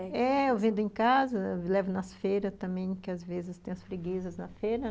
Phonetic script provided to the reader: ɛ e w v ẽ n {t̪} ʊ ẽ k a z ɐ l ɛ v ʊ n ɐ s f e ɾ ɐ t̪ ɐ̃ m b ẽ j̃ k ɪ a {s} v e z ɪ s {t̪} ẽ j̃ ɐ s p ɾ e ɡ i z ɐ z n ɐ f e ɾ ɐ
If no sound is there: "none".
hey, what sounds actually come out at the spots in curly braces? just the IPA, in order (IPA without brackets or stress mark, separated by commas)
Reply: d̪, z, t̪